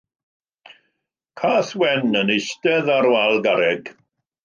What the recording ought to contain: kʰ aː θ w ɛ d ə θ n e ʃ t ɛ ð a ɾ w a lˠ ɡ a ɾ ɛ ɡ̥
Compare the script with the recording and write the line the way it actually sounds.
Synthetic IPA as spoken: kʰ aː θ w ɛ n ə n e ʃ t ɛ ð a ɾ w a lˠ ɡ a ɾ ɛ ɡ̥